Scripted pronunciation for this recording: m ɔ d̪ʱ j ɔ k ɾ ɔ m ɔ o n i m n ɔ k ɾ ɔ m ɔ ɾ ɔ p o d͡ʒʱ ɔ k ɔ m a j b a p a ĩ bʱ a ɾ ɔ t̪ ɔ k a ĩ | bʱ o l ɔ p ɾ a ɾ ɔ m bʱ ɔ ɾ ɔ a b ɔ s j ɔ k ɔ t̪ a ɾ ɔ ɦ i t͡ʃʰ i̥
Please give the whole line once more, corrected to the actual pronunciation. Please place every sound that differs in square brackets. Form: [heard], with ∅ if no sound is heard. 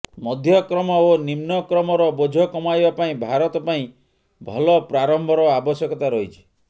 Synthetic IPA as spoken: m ɔ d̪ʱ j ɔ k ɾ ɔ m ɔ o n i m n ɔ k ɾ ɔ m ɔ ɾ ɔ [b] o d͡ʒʱ ɔ k ɔ m a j b a p a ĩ bʱ a ɾ ɔ t̪ ɔ [p] a ĩ | bʱ [ɔ] l ɔ p ɾ a ɾ ɔ m bʱ ɔ ɾ ɔ a b ɔ s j ɔ k ɔ t̪ a ɾ ɔ ɦ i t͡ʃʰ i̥